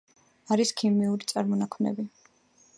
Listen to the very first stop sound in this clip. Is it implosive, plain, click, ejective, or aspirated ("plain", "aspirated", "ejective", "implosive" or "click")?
aspirated